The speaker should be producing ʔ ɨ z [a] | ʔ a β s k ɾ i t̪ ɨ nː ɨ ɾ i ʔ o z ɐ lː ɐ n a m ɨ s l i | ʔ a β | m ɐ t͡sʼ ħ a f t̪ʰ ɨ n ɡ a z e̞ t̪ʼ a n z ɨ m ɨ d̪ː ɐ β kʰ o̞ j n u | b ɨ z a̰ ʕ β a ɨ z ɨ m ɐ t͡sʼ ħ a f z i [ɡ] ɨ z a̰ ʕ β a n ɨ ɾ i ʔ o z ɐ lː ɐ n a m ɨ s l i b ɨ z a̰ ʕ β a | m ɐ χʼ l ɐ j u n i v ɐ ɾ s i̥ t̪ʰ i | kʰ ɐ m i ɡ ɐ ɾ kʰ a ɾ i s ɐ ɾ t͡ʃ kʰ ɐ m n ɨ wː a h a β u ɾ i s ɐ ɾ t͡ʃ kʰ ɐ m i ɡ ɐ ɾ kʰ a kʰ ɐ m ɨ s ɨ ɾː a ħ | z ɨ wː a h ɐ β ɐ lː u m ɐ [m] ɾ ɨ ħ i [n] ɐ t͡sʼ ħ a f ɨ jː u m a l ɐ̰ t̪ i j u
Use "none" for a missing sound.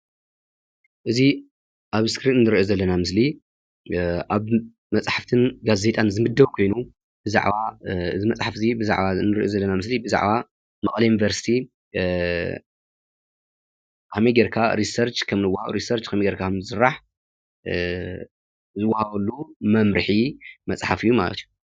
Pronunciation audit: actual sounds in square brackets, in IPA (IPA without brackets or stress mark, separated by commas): i, b, m, m